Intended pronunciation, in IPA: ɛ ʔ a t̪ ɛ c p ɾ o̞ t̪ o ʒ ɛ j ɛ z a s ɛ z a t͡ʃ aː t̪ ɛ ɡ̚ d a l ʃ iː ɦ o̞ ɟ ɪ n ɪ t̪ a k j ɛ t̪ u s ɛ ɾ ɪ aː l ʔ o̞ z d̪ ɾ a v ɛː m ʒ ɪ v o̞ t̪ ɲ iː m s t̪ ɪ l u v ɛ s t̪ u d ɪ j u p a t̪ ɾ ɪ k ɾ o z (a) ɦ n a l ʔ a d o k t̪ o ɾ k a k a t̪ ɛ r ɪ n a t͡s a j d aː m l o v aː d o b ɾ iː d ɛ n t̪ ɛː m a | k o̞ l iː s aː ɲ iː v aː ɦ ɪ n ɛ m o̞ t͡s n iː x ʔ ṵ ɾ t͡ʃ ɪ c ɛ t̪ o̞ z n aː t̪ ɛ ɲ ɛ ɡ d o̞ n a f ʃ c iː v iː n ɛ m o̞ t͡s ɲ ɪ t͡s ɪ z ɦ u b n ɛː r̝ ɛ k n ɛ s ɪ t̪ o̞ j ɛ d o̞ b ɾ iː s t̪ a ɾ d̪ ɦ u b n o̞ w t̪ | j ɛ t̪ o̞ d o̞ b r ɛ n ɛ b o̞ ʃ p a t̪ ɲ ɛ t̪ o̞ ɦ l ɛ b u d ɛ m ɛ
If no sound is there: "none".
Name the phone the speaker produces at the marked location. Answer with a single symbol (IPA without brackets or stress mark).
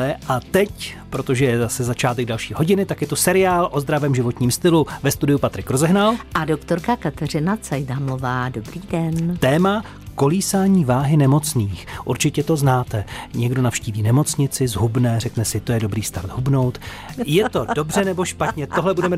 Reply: ɛ